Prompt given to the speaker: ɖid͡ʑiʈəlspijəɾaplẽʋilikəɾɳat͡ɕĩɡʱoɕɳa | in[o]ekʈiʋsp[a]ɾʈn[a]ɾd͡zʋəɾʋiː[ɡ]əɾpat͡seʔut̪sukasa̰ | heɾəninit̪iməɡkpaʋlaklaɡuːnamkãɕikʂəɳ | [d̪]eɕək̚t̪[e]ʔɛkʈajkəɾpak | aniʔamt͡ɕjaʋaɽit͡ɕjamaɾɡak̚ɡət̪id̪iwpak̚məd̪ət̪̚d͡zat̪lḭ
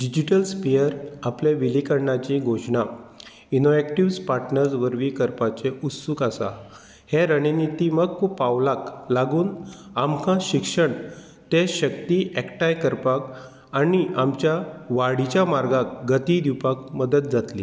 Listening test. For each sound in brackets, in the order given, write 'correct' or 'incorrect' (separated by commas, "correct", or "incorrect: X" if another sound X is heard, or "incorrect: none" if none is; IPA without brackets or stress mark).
correct, correct, incorrect: ə, incorrect: k, incorrect: t̪, incorrect: i